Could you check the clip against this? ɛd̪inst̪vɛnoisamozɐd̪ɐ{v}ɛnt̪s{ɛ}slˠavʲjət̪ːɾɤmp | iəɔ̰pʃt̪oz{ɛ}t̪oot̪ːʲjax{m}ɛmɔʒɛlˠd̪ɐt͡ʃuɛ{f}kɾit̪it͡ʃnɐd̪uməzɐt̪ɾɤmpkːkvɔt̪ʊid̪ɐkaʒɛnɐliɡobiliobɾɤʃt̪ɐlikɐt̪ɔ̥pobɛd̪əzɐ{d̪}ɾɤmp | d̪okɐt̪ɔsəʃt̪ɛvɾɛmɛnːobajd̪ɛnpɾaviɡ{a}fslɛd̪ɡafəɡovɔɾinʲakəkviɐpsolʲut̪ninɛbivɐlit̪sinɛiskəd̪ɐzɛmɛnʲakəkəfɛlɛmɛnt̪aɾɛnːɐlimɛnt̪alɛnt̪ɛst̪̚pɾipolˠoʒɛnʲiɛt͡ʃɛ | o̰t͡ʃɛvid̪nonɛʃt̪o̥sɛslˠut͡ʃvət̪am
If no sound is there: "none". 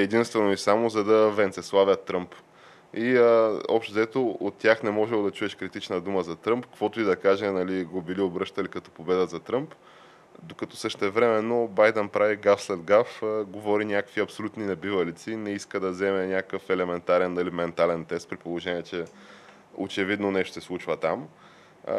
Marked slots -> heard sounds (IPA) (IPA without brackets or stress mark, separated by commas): v, ɛ, ɛ, n, ʃ, t̪, a